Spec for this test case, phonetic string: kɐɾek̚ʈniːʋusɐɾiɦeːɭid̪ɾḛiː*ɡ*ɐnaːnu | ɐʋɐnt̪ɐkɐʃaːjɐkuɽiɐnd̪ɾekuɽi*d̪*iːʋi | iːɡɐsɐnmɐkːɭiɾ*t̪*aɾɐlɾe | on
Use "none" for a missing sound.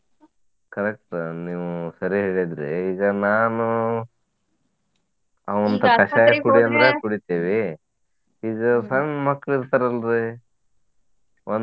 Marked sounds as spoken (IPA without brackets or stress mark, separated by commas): ɡ, t̪, t̪